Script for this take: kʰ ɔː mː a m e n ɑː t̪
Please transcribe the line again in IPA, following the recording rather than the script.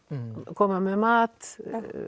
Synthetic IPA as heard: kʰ ɔ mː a m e m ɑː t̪